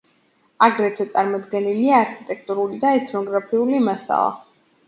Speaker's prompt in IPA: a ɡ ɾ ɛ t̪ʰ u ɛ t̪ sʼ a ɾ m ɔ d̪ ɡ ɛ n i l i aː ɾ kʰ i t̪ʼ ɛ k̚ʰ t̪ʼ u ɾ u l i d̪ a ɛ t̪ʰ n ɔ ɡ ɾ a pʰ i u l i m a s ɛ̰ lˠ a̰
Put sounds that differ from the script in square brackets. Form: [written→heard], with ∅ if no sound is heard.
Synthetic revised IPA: a ɡ ɾ ɛ t̪ʰ [u→w] ɛ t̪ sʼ a ɾ m ɔ d̪ ɡ ɛ n i l i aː ɾ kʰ i t̪ʼ ɛ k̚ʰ t̪ʼ u ɾ u l i d̪ a ɛ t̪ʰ n ɔ ɡ ɾ a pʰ i u l i m a s [ɛ̰→a̰] lˠ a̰